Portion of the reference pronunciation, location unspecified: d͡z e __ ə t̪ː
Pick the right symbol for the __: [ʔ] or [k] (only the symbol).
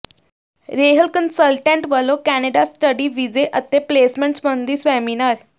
ʔ